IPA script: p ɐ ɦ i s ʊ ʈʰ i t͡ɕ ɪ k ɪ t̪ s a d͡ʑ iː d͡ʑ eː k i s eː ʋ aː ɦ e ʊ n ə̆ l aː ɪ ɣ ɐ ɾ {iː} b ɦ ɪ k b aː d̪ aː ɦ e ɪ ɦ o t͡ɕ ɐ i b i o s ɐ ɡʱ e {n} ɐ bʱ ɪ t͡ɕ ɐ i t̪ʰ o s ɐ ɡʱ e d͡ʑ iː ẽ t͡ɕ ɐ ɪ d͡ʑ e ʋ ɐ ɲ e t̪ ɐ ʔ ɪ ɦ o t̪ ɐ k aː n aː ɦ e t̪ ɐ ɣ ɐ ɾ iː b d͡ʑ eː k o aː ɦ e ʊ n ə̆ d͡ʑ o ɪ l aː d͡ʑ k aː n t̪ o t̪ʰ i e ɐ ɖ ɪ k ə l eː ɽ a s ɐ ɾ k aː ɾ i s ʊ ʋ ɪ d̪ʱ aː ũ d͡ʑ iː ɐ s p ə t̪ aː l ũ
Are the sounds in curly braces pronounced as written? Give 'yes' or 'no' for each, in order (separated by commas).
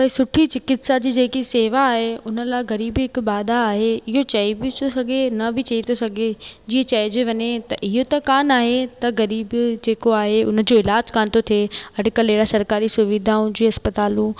yes, yes